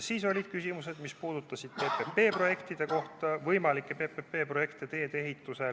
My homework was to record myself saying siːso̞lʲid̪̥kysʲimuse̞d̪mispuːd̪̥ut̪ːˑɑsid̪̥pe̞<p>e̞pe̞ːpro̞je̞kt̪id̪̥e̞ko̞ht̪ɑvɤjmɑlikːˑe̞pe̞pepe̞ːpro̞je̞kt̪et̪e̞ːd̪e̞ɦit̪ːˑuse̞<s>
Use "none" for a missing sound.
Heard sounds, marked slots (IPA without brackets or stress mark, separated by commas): p, none